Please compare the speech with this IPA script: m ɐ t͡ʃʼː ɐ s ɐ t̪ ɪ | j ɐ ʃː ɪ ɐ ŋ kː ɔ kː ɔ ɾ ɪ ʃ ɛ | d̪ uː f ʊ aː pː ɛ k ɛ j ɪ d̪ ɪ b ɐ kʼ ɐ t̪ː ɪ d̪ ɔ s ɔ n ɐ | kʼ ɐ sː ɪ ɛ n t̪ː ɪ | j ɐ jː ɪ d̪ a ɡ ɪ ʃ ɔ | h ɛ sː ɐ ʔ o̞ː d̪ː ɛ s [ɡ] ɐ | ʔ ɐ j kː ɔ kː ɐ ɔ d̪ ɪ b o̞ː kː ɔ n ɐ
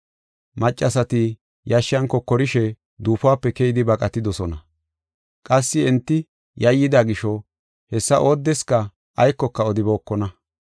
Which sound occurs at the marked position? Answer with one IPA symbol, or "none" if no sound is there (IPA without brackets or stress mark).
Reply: k